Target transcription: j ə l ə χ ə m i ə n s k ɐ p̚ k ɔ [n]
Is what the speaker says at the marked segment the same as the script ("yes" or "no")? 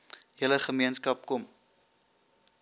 no